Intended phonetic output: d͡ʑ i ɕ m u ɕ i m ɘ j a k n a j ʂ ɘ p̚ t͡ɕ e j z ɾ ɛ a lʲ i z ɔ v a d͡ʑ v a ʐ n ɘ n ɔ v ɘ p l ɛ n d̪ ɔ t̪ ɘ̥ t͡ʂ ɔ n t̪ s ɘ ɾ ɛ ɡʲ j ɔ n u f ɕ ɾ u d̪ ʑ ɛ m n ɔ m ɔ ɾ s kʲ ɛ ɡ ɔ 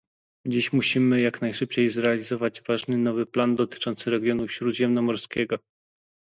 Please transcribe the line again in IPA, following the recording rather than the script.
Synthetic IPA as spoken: d͡ʑ i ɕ m u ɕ i m ɘ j a k n a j ʂ ɘ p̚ t͡ɕ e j z ɾ ɛ a lʲ i z ɔ v a d͡ʑ v a ʐ n ɘ n ɔ v ɘ p l a n d̪ ɔ t̪ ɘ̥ t͡ʂ ɔ n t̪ s ɘ ɾ ɛ ɡʲ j ɔ n u f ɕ ɾ u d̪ ʑ ɛ m n ɔ m ɔ ɾ s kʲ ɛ ɡ ɔ